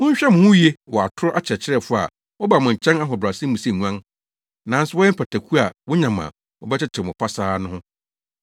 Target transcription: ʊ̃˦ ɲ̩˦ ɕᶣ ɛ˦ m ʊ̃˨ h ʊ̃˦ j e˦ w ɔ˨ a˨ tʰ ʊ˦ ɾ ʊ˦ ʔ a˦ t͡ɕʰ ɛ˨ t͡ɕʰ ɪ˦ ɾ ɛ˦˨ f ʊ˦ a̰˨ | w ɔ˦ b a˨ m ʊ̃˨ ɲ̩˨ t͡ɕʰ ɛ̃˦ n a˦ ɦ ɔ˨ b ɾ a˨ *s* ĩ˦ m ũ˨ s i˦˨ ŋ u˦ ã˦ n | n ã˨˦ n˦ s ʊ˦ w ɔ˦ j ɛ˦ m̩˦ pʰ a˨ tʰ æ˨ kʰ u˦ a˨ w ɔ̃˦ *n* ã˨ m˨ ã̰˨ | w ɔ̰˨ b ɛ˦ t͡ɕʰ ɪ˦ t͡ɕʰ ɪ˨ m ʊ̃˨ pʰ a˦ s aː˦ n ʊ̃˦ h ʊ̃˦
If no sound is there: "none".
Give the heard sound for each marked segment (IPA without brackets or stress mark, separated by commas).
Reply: s, ɲ